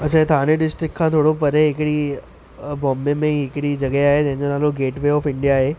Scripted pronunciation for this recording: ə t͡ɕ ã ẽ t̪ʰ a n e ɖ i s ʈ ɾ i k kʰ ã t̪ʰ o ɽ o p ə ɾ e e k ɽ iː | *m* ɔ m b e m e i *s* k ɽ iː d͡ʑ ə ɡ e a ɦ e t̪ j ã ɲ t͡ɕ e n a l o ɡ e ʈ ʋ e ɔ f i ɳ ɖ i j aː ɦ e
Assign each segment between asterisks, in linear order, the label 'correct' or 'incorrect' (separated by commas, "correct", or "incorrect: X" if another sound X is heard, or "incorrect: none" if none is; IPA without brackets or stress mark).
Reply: incorrect: b, incorrect: none